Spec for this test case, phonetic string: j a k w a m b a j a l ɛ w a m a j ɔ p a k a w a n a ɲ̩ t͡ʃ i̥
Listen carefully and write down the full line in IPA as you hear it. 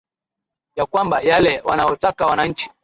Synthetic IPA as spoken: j a k w a m b a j a l ɛ w a n a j ɔ t a k a w a n a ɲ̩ t͡ʃ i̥

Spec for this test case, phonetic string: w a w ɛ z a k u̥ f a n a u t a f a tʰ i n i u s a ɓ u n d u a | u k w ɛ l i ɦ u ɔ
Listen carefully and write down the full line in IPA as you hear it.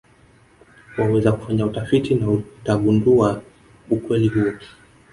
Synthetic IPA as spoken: w a w ɛ z a k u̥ f a ɲ a u t a f i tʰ i n a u t a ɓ u n d u a | u k w ɛ l i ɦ u ɔ

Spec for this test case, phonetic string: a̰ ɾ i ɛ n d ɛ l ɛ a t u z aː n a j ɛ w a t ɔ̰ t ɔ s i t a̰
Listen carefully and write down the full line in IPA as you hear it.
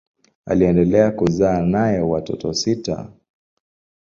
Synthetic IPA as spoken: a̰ l i ɛ n d ɛ l ɛ a k u z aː n a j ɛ w a t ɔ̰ t ɔ s i t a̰

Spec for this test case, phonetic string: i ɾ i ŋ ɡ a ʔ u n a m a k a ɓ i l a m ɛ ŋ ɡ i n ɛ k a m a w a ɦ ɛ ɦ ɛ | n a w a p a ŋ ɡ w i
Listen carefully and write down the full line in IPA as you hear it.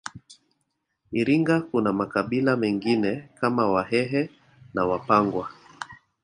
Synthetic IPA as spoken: i ɾ i ŋ ɡ a k u n a m a k a ɓ i l a m ɛ ŋ ɡ i n ɛ k a m a w a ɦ ɛ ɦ ɛ | n a w a p a ŋ ɡ w a

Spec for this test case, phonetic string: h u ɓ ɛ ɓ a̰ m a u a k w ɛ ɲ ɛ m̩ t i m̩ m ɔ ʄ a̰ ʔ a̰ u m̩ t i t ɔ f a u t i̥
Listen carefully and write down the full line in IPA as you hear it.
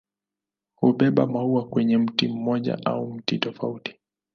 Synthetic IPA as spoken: h u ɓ ɛ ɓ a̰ m a u a k w ɛ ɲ ɛ m̩ t i m̩ m ɔ ʄ a̰ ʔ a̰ u m̩ t i t ɔ f a u t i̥

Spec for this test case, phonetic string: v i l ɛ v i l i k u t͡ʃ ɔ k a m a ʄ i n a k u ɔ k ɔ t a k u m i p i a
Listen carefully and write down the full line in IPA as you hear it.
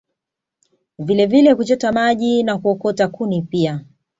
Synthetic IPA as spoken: v i l ɛ v i l ɛ k u t͡ʃ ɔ t a m a ʄ i n a k u ɔ k ɔ t a k u n i p i a

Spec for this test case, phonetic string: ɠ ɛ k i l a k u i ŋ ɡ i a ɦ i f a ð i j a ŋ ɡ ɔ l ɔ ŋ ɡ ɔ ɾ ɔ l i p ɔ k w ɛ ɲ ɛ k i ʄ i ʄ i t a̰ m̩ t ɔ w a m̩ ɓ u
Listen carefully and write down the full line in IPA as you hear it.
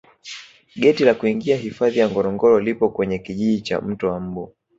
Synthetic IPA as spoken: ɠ ɛ t i l a k u i ŋ ɡ i a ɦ i f a ð i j a ŋ ɡ ɔ ɾ ɔ ŋ ɡ ɔ ɾ ɔ l i p ɔ k w ɛ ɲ ɛ k i ʄ i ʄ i t͡ʃ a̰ m̩ t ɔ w a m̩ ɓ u

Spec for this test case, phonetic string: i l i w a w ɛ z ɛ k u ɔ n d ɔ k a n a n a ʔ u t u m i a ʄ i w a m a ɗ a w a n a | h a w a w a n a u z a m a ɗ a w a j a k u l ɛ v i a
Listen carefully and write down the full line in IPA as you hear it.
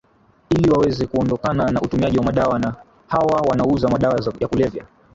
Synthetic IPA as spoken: i l i w a w ɛ z ɛ k u ɔ n d ɔ k a n a n a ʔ u t u m i a ʄ i w a m a ɗ a w a n a | h a w a w a n a u z a m a ɗ a w a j a k u l ɛ v j a

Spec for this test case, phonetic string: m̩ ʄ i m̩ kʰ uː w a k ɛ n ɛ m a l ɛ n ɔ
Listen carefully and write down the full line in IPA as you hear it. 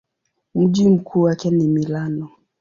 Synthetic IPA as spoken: m̩ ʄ i m̩ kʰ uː w a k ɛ n i m i l a n ɔ

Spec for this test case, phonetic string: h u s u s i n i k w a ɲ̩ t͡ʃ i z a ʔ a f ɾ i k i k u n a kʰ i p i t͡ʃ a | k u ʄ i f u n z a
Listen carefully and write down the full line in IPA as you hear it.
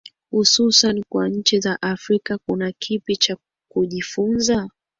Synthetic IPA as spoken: h u s u s a n i k w a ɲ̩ t͡ʃ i z a ʔ a f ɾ i k a k u n a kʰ i p i t͡ʃ a | k u ʄ i f u n z a

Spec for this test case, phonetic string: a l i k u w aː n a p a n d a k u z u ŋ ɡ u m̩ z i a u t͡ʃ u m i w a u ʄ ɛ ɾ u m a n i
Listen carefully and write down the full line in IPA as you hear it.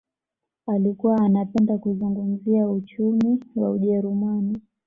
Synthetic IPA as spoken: a l i k u w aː n a p ɛ n d a k u z u ŋ ɡ u m̩ z i a u t͡ʃ u m i w a u ʄ ɛ ɾ u m a n i

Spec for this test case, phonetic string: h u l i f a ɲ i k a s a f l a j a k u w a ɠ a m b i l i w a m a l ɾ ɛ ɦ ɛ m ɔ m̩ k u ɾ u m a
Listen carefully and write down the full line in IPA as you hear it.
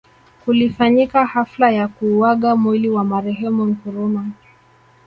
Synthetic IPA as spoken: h u l i f a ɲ i k a h a f l a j a k u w a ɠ a m w i l i w a m a ɾ ɛ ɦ ɛ m u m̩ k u ɾ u m a

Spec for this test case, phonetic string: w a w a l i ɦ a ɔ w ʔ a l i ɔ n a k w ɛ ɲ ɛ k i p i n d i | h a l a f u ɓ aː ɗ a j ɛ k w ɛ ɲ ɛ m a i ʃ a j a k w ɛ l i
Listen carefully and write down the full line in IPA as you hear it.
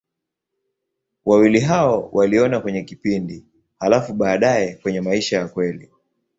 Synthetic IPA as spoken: w a w i l i ɦ a ɔ w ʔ a l i ɔ n a k w ɛ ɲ ɛ k i p i n d i | h a l a f u ɓ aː ɗ a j ɛ k w ɛ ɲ ɛ m a i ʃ a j a k w ɛ l i

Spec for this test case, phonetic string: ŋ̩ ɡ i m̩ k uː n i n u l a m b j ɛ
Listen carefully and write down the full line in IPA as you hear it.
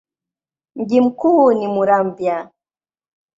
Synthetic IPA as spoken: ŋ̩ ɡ i m̩ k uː n i m u ɾ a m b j a

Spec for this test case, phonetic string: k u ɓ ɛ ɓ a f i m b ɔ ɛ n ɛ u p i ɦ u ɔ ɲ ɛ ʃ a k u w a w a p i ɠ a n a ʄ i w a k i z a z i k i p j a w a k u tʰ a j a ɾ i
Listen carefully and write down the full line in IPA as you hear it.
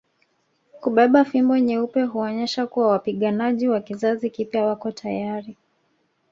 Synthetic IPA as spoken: k u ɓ ɛ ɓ a f i m b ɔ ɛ ɲ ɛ u p ɛ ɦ u ɔ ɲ ɛ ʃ a k u w a w a p i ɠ a n a ʄ i w a k i z a z i k i p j a w a k ɔ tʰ a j a ɾ i

